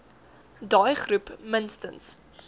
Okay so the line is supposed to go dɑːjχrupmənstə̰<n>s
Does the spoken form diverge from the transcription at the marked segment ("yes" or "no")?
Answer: no